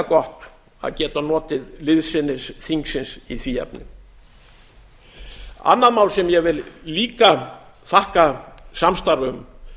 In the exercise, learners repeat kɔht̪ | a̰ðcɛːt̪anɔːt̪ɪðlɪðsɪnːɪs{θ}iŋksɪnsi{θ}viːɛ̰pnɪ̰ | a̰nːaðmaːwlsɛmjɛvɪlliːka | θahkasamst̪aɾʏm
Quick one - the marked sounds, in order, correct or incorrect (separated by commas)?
correct, correct